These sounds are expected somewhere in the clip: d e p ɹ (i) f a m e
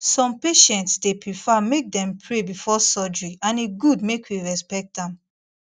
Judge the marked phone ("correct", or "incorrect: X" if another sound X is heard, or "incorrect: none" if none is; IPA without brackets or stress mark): correct